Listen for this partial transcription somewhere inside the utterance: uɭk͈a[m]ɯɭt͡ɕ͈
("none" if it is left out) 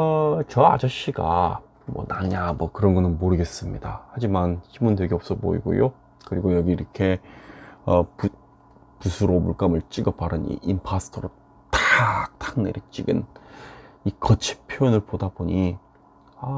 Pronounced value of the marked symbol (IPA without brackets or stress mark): m